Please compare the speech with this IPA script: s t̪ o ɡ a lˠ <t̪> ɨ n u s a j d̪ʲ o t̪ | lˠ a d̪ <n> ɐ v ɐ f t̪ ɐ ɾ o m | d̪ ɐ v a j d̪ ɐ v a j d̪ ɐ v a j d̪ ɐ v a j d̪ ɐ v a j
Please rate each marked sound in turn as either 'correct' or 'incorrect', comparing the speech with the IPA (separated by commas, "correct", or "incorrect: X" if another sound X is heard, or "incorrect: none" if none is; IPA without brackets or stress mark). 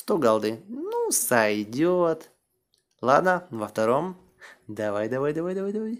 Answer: incorrect: d̪, correct